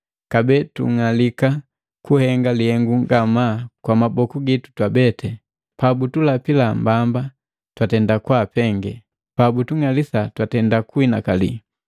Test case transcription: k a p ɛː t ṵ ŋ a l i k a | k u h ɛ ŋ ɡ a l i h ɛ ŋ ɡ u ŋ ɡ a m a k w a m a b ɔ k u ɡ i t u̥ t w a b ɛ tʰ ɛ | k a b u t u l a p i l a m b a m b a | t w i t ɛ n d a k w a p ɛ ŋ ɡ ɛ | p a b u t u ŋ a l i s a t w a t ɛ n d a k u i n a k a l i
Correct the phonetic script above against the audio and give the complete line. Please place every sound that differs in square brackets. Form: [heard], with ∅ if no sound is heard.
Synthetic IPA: k a [b] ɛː t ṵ ŋ a l i k a | k u h ɛ ŋ ɡ a l i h ɛ ŋ ɡ u ŋ ɡ a m a k w a m a b ɔ k u ɡ i t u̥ t w a b ɛ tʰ ɛ | [p] a b u t u l a p i l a m b a m b a | t w [a] t ɛ n d a k w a p ɛ ŋ ɡ ɛ | p a b u t u ŋ a l i s a t w a t ɛ n d a k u i n a k a l i